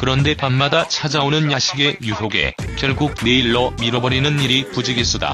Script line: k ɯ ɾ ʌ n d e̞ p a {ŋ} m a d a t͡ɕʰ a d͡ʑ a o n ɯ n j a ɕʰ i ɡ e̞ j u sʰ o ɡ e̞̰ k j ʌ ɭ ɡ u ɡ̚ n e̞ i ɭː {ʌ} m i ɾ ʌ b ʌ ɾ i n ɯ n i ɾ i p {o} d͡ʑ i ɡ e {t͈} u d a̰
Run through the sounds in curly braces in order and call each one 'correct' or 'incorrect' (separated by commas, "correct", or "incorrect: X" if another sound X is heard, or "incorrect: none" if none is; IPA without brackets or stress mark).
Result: incorrect: n, correct, incorrect: u, incorrect: s͈